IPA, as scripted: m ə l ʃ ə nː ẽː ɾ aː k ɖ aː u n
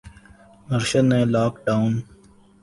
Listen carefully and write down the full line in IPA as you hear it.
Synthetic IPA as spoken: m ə ɾ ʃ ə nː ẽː l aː k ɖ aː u n